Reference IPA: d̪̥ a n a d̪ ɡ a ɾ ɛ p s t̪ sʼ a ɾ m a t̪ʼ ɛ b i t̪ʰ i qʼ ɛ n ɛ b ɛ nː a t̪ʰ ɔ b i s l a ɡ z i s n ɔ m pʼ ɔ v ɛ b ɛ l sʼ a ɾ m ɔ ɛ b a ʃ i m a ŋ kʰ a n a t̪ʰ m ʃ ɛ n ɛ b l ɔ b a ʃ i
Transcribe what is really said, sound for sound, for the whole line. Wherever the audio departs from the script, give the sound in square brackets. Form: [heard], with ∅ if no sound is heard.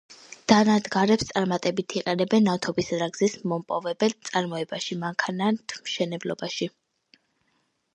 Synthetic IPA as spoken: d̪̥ a n a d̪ ɡ a ɾ ɛ p s t̪ sʼ a ɾ m a t̪ʼ ɛ b i t̪ʰ i qʼ ɛ n ɛ b ɛ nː a t̪ʰ ɔ b i s [ɾ] a ɡ z i s [m] ɔ m pʼ ɔ v ɛ b ɛ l sʼ a ɾ m ɔ ɛ b a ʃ i m a ŋ kʰ a n a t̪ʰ m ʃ ɛ n ɛ b l ɔ b a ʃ i

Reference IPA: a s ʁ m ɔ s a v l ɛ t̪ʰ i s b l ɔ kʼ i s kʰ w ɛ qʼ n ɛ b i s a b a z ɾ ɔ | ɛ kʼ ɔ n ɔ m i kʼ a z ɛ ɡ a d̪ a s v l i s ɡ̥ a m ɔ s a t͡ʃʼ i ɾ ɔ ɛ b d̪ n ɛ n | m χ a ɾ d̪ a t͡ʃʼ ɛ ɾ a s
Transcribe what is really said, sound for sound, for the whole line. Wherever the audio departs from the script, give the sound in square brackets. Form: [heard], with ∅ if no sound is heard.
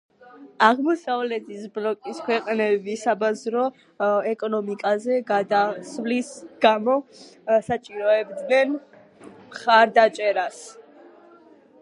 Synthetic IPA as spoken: a [∅] ʁ m ɔ s a v l ɛ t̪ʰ i s b l ɔ kʼ i s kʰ w ɛ qʼ n ɛ b i s a b a z ɾ ɔ | ɛ kʼ ɔ n ɔ m i kʼ a z ɛ ɡ a d̪ a s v l i s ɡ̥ a m ɔ s a t͡ʃʼ i ɾ ɔ ɛ b d̪ n ɛ n | m χ a ɾ d̪ a t͡ʃʼ ɛ ɾ a s

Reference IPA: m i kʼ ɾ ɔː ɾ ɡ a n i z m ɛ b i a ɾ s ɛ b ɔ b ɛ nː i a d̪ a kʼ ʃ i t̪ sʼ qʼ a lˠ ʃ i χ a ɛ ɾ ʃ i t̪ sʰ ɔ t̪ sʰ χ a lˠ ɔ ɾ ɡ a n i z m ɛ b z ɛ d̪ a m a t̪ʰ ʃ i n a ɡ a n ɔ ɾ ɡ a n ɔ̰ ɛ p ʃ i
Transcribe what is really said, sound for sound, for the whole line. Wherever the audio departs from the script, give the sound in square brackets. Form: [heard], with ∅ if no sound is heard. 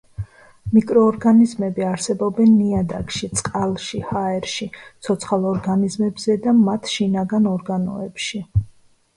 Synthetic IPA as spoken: m i kʼ ɾ ɔː ɾ ɡ a n i z m ɛ b i a ɾ s ɛ b ɔ b ɛ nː i a d̪ a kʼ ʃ i t̪ sʼ qʼ a lˠ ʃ i [h] a ɛ ɾ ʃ i t̪ sʰ ɔ t̪ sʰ χ a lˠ ɔ ɾ ɡ a n i z m ɛ b z ɛ d̪ a m a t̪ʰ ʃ i n a ɡ a n ɔ ɾ ɡ a n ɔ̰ ɛ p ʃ i

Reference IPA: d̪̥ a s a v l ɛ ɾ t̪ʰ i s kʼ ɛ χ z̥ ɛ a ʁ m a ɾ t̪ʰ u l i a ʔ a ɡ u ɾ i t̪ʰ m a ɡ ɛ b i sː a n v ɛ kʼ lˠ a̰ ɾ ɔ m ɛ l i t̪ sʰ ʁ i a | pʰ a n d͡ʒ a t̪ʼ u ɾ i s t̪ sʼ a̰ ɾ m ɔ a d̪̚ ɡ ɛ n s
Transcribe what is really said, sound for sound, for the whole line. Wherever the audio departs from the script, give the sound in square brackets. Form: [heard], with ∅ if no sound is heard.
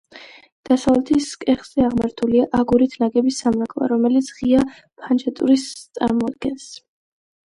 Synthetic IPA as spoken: d̪̥ a s a v l ɛ [∅] t̪ʰ i s kʼ ɛ χ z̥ ɛ a ʁ m a ɾ t̪ʰ u l i a ʔ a ɡ u ɾ i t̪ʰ [n] a ɡ ɛ b i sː a [m] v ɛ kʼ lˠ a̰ ɾ ɔ m ɛ l i t̪ sʰ ʁ i a | pʰ a n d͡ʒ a t̪ʼ u ɾ i s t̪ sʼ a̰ ɾ m ɔ a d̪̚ ɡ ɛ n s

